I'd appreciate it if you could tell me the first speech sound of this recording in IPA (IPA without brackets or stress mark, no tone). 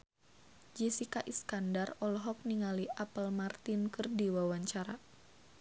d͡ʒ